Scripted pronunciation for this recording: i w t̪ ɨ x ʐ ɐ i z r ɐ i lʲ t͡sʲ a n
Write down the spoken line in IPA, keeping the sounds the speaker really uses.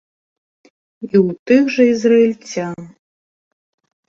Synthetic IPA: i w t̪ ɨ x ʐ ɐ i z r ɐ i lʲ t͡sʲ a n